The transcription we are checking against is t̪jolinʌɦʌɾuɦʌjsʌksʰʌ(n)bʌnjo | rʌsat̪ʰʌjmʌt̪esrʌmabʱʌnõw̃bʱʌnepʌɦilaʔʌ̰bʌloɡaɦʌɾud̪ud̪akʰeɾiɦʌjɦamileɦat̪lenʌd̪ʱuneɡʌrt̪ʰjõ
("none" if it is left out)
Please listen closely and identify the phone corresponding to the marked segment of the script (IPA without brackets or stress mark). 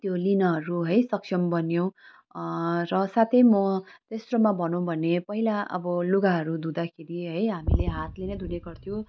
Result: m